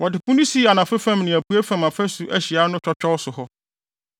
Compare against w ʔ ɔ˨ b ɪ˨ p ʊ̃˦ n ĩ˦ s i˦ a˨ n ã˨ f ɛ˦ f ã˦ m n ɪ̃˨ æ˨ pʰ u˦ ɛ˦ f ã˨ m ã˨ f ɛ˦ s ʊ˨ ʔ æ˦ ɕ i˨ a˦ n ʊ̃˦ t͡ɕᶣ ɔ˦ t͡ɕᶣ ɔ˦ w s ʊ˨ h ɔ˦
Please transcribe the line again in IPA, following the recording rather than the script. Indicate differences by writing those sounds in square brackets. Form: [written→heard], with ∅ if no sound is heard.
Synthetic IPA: w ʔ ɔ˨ [b→d] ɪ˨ p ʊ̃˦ n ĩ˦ s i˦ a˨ n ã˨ f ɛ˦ f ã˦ m n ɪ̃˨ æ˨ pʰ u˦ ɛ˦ f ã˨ m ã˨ f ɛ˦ s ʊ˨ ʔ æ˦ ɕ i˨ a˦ n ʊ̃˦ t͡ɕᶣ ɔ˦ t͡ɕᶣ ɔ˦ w s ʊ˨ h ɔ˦